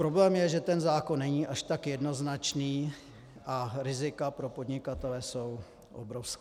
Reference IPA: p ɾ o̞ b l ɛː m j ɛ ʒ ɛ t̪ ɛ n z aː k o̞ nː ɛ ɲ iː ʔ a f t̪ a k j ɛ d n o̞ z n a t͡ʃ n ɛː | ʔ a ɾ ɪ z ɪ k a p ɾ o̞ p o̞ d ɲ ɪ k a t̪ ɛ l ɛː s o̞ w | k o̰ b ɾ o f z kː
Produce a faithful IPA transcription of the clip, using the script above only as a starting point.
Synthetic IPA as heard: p ɾ o̞ b l ɛː m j ɛ ʒ ɛ t̪ ɛ n z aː k o̞ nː ɛ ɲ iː ʔ a ʃ t̪ a k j ɛ d n o̞ z n a t͡ʃ n iː | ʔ a ɾ ɪ z ɪ k a p ɾ o̞ p o̞ d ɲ ɪ k a t̪ ɛ l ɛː s o̞ w | ʔ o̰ b ɾ o f s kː